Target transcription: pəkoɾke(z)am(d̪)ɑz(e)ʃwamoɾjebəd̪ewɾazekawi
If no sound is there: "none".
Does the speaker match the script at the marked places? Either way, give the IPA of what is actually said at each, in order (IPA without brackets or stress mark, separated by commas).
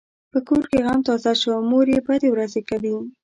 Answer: ɣ, t̪, a